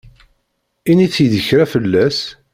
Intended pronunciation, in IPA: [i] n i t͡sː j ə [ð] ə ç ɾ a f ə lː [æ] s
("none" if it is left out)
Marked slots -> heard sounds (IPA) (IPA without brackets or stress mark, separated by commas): i, ð, æ